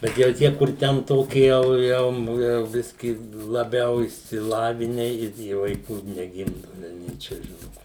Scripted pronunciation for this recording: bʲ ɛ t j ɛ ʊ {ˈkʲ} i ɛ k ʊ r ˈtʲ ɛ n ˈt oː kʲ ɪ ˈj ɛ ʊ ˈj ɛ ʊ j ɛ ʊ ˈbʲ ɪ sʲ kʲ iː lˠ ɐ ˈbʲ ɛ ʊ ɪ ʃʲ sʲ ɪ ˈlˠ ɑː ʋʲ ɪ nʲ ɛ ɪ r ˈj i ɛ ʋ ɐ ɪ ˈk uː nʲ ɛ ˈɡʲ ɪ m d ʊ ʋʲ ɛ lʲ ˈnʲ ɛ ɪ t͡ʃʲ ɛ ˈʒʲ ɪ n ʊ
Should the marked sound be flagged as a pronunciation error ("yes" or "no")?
yes